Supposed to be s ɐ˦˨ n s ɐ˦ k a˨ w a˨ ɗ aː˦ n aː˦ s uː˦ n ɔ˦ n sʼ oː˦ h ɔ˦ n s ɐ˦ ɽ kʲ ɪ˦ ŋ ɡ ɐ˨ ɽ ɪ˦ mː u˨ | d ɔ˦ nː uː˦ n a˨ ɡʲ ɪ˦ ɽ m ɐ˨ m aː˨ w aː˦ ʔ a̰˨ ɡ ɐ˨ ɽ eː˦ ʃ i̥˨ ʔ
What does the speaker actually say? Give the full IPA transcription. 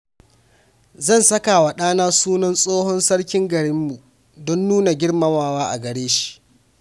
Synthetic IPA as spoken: z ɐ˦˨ n s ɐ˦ k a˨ w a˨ ɗ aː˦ n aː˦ s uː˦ n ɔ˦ n sʼ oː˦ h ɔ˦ n s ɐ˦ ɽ kʲ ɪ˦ ŋ ɡ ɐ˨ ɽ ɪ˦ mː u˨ | d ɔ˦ nː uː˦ n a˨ ɡʲ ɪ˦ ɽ m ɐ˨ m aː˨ w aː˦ ʔ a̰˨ ɡ ɐ˨ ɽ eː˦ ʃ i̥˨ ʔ